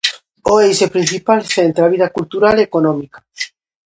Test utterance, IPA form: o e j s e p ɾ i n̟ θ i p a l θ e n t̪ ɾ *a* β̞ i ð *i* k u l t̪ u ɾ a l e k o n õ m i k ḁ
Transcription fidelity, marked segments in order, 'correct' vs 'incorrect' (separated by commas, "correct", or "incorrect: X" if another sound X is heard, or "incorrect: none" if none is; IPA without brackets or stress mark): correct, incorrect: a